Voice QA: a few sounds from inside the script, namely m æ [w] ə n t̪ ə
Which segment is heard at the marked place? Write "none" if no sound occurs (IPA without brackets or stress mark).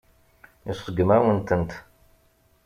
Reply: w